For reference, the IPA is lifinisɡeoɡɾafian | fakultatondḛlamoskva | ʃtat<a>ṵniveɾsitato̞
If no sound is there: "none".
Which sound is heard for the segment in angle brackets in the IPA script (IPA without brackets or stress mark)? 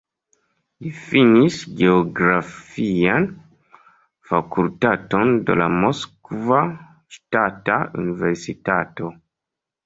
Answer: a